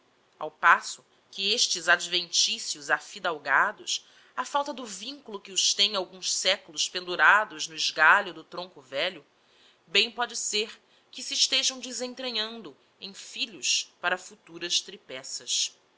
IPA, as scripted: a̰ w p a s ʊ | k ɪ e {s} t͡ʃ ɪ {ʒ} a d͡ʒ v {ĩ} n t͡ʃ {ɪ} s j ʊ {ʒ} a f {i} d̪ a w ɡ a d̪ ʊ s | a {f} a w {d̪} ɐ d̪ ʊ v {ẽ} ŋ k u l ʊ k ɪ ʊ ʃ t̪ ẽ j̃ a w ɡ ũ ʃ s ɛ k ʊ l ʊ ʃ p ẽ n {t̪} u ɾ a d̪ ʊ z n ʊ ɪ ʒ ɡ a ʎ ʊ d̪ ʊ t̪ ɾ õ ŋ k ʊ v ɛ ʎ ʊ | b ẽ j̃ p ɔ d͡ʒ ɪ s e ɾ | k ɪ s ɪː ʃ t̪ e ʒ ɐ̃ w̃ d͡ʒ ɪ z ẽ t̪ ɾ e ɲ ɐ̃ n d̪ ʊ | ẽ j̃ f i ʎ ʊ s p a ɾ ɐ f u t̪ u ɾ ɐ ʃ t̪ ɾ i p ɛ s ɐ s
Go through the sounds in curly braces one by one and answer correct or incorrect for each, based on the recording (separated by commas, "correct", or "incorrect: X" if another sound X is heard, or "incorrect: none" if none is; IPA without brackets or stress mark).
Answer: incorrect: ʃ, incorrect: z, incorrect: ẽ, incorrect: i, incorrect: z, correct, correct, incorrect: t̪, incorrect: ĩ, incorrect: d̪